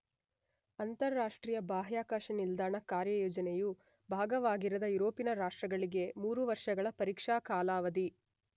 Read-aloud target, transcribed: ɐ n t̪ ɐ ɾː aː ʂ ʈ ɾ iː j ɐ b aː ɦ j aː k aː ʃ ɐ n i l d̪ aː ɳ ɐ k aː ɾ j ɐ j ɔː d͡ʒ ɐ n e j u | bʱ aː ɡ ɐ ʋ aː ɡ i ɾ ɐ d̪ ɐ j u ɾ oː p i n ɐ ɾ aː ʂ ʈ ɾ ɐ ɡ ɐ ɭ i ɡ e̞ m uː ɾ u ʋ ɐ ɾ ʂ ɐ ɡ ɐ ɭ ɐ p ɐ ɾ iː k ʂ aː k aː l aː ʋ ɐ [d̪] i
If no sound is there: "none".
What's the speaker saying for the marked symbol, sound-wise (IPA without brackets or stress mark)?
d̪